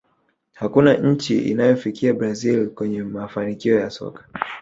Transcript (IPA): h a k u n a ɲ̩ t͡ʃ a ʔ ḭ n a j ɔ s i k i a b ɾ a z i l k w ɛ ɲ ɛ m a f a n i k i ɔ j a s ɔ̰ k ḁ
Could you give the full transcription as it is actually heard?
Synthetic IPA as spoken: h a k u n a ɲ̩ t͡ʃ i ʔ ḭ n a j ɔ f i k i a b ɾ a z i l k w ɛ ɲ ɛ m a f a n i k i ɔ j a s ɔ̰ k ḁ